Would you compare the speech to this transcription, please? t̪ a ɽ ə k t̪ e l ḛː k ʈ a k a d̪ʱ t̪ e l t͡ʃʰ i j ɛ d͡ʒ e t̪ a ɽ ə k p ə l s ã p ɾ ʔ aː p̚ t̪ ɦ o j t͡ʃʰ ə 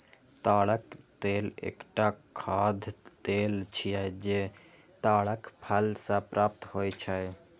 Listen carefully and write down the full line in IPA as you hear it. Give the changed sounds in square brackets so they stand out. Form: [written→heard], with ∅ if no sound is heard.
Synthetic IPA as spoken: t̪ a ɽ ə k t̪ e l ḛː k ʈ a [k→kʰ] a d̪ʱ t̪ e l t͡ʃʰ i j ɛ d͡ʒ e t̪ a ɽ ə k [p→pʰ] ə l s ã p ɾ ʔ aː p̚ t̪ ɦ o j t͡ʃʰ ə